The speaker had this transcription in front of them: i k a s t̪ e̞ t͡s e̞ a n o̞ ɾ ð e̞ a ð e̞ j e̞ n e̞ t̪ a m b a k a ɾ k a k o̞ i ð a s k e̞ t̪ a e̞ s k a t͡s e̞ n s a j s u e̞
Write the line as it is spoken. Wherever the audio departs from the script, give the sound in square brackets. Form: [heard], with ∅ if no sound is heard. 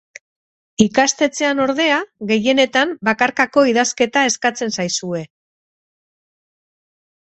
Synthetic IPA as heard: i k a s t̪ e̞ t͡s e̞ a n o̞ ɾ ð e̞ a [ɣ] e̞ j e̞ n e̞ t̪ a m b a k a ɾ k a k o̞ i ð a s k e̞ t̪ a e̞ s k a t͡s e̞ n s a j s u e̞